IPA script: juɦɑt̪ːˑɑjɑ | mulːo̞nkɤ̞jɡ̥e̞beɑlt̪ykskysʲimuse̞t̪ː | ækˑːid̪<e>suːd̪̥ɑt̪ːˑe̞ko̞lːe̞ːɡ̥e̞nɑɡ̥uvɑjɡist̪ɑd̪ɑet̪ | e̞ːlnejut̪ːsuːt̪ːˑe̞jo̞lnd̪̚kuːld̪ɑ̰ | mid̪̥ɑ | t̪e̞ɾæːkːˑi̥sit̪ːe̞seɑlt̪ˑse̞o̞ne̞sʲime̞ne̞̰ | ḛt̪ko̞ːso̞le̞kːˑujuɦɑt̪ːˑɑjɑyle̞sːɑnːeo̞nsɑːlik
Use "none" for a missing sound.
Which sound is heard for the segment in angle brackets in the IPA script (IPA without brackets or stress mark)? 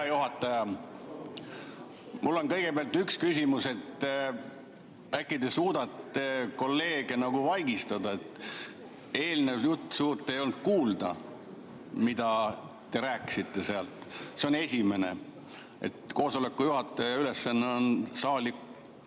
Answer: e